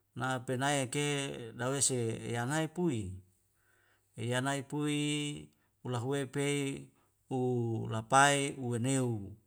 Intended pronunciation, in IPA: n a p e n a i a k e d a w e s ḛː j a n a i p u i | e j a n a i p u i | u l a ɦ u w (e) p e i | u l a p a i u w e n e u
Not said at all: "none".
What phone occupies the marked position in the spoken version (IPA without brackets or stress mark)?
e